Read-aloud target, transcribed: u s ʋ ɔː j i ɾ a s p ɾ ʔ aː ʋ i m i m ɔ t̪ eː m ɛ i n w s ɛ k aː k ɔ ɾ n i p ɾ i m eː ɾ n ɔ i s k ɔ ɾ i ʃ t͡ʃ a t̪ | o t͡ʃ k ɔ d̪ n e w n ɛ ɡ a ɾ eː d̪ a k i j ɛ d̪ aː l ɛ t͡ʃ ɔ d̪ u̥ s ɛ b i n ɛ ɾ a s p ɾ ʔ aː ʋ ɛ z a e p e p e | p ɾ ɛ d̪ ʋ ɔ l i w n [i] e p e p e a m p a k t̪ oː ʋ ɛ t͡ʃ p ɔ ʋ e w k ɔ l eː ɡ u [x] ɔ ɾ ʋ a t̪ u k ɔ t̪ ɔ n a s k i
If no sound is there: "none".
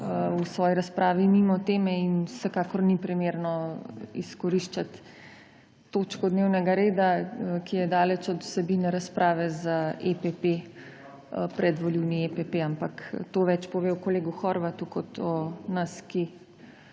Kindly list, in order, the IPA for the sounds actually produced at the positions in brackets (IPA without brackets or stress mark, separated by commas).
i, x